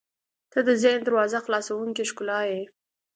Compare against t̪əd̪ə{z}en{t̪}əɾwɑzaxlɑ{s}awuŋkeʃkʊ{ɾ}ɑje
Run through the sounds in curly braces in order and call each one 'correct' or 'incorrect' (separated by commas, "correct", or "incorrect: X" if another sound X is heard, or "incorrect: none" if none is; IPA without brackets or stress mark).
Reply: correct, incorrect: d̪, correct, incorrect: l